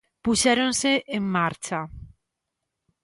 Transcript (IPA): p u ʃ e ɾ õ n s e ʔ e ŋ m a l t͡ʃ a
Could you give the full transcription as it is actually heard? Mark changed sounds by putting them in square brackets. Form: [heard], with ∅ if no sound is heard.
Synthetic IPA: p u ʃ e ɾ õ n s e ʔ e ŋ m a [ɾ] t͡ʃ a